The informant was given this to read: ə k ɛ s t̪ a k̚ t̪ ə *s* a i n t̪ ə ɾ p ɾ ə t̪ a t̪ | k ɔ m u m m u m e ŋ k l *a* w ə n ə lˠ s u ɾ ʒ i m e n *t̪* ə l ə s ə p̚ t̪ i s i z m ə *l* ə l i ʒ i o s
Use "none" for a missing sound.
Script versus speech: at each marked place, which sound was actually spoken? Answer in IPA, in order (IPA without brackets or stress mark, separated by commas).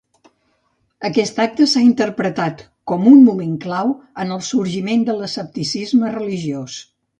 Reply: s, a, d̪, r